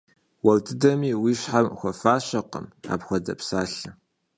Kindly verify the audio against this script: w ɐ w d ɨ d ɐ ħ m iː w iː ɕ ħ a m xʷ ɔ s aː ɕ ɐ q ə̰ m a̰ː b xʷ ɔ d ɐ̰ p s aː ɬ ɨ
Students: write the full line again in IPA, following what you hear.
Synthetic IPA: w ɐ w d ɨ d ɐ m iː w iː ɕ ħ a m xʷ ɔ f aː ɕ ɐ q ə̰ m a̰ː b xʷ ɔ d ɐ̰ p s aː ɬ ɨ